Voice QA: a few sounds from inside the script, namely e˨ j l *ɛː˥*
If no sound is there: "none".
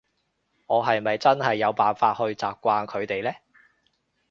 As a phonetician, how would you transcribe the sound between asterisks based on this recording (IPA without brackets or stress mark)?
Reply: ɛː˥